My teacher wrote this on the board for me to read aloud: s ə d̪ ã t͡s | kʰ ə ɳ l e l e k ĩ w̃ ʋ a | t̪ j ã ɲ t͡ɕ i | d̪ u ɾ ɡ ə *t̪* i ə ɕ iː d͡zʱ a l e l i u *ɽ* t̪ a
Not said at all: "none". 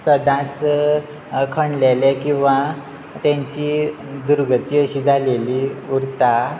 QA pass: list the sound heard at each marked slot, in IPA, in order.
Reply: t̪, ɾ

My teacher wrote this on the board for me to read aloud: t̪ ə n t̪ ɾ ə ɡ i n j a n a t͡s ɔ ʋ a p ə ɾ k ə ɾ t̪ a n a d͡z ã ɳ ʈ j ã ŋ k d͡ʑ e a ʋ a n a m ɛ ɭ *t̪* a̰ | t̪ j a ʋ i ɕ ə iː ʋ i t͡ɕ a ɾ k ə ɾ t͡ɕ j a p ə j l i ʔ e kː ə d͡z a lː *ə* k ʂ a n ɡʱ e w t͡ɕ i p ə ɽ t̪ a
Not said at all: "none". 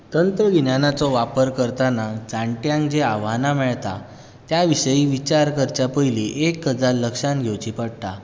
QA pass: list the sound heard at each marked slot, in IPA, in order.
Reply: t̪, ə

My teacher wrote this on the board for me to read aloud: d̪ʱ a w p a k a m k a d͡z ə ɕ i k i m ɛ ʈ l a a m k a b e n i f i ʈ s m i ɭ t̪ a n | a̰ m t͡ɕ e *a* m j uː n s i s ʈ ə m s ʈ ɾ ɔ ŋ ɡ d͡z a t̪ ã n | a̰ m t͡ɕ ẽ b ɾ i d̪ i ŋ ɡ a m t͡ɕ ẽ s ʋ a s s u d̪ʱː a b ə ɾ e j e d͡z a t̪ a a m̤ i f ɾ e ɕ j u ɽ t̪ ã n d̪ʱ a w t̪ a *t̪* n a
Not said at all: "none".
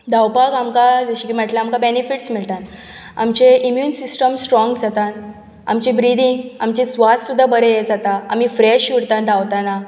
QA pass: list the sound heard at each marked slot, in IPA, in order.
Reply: i, none

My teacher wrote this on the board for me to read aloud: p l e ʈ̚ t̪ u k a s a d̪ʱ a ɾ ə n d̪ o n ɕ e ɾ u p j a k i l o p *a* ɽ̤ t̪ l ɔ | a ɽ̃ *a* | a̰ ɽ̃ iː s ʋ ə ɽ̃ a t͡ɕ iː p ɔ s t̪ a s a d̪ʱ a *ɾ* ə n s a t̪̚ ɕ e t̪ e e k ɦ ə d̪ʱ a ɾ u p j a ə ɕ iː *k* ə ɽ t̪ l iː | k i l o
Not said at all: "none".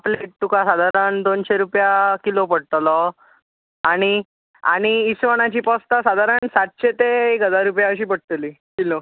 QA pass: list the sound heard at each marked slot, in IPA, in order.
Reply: ə, i, ɾ, p

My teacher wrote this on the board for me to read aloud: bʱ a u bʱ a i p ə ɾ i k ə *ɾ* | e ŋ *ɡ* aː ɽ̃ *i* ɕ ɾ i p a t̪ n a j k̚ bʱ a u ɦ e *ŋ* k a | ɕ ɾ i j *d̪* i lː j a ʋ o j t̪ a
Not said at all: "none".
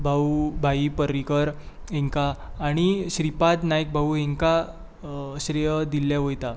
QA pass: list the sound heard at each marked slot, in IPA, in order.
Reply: ɾ, k, i, ŋ, d̪

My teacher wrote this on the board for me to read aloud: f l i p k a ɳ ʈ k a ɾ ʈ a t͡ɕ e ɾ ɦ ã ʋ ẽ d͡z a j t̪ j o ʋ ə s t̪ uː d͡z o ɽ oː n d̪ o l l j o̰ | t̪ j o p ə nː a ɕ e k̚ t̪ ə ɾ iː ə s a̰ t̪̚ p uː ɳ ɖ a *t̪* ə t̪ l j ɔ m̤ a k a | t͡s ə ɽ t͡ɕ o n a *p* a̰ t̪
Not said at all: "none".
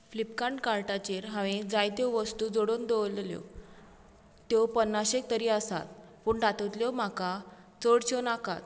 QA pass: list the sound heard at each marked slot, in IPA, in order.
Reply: t̪, k

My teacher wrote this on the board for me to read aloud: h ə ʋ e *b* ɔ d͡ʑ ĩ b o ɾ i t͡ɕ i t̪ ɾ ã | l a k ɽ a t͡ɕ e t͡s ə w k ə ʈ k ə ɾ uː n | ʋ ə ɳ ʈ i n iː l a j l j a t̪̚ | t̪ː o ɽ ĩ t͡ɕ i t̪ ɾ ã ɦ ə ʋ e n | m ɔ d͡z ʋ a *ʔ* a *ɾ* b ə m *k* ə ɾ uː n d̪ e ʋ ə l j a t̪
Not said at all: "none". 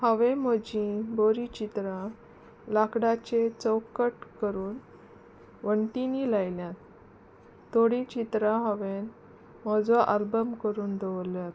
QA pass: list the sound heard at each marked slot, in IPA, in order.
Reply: m, ʔ, l, k

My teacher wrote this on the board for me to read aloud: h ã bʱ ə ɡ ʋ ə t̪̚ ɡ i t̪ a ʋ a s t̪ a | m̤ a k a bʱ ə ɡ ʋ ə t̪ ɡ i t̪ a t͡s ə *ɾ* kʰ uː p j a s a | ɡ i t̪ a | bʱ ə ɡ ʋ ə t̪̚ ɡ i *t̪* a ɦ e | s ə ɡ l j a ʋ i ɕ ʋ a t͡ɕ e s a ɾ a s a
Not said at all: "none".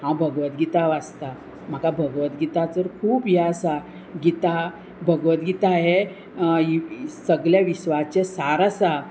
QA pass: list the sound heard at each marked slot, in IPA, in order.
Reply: ɾ, t̪

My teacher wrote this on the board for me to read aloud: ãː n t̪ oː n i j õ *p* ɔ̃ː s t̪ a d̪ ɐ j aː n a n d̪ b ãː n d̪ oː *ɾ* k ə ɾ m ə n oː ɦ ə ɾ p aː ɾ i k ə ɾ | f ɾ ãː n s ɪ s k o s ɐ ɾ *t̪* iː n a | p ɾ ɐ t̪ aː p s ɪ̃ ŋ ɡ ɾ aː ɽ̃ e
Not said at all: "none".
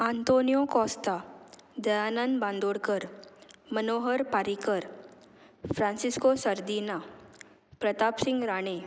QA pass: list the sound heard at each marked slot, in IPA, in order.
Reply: k, ɽ, d̪

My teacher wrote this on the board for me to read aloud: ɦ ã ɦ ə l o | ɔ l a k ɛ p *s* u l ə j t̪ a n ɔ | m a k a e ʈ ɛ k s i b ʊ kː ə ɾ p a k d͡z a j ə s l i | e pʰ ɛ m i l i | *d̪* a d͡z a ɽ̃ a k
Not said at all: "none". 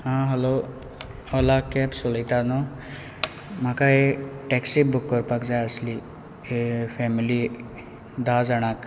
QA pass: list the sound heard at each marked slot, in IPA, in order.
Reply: s, d̪

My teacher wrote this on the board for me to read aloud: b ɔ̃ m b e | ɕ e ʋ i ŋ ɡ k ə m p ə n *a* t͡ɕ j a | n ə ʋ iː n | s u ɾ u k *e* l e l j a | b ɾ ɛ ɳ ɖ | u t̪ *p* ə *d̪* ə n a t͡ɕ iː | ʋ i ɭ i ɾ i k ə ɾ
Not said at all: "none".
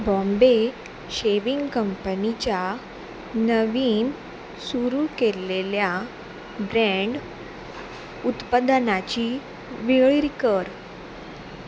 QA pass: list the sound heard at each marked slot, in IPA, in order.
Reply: i, e, p, d̪

